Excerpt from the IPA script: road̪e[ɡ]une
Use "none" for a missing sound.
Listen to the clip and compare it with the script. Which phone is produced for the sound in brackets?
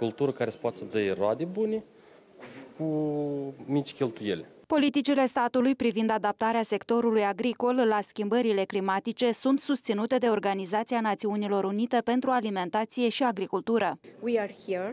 b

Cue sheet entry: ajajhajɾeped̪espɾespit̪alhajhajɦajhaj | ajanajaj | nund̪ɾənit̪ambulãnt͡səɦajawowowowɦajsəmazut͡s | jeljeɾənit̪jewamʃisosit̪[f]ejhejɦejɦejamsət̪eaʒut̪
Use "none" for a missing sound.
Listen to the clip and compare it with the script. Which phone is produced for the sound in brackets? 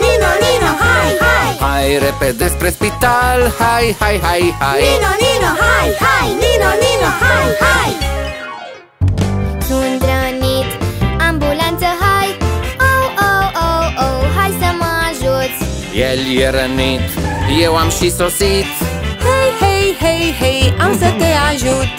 h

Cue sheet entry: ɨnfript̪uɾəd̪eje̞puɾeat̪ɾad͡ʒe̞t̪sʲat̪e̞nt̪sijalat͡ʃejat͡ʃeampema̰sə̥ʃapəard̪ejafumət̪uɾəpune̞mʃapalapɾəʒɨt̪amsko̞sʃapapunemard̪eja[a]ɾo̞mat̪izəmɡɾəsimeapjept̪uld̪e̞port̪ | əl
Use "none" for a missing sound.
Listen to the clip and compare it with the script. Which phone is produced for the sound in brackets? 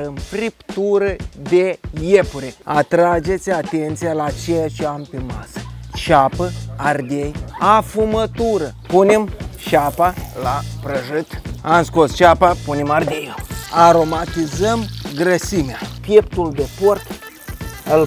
a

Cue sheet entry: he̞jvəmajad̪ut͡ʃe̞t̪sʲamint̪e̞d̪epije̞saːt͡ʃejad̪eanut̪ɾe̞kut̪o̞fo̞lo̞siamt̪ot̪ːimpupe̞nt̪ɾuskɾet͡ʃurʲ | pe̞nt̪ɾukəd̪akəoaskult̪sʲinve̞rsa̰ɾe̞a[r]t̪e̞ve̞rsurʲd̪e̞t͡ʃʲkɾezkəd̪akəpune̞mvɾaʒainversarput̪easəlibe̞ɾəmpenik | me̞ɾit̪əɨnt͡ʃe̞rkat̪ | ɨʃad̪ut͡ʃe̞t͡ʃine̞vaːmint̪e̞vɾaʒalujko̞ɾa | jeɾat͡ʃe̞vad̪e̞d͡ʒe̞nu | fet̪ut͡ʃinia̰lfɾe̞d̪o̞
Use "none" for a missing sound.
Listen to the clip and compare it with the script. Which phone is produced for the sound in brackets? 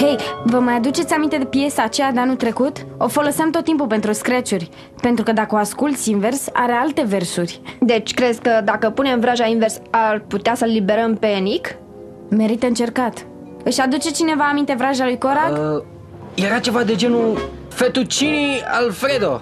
l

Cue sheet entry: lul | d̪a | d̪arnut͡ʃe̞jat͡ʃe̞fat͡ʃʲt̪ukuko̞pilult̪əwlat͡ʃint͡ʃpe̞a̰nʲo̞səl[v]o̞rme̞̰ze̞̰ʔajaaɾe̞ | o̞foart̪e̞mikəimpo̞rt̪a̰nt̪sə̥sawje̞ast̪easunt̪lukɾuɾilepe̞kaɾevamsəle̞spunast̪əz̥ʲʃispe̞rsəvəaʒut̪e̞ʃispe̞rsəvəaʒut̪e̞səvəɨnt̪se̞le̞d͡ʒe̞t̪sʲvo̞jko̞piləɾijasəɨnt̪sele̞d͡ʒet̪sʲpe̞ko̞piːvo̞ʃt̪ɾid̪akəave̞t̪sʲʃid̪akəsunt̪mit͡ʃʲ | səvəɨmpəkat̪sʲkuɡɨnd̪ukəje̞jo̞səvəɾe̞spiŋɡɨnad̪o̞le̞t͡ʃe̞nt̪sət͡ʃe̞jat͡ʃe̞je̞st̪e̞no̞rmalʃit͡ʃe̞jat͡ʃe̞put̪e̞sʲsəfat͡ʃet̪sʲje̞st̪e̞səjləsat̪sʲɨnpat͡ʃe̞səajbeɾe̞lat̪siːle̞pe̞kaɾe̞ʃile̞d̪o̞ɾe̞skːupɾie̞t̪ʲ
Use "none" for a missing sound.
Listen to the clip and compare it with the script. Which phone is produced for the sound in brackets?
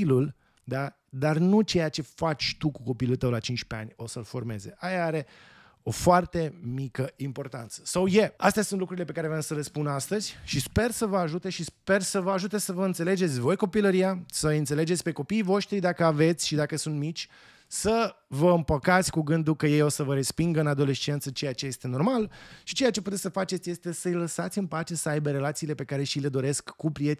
f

